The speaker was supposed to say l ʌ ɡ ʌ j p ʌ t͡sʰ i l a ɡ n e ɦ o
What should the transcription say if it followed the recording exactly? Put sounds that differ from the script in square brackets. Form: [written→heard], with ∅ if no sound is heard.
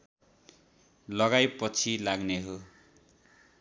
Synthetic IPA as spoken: l ʌ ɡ [ʌ→a] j p ʌ t͡sʰ i l a ɡ n e ɦ o